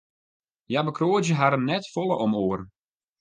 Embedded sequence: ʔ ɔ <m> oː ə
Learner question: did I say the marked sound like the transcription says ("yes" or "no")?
yes